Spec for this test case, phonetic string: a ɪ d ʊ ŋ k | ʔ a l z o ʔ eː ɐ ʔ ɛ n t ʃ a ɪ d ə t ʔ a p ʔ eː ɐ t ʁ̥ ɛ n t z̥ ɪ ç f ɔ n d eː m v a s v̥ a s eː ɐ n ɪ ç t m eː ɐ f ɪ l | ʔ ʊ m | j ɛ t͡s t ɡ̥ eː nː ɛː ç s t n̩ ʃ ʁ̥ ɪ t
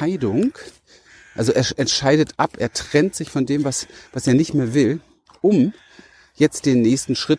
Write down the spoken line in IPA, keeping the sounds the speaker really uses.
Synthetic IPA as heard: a ɪ d ʊ ŋ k | ʔ a l z o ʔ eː ɐ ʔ ɛ n t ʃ a ɪ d ə t ʔ a p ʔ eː ɐ t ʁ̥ ɛ n t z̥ ɪ ç f ɔ n d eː m v a s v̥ a s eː ɐ n ɪ ç t m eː ɐ v ɪ l | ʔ ʊ m | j ɛ t͡s t d̥ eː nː ɛː ç s t n̩ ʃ ʁ̥ ɪ t